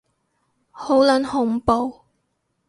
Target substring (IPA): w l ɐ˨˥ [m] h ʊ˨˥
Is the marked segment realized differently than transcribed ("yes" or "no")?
yes